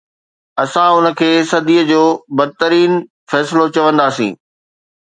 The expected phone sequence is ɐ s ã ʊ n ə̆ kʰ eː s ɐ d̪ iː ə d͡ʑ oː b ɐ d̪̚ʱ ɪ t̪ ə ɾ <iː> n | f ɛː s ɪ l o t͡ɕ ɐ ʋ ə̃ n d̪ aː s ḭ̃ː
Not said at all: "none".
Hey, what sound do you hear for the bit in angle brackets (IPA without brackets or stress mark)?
iː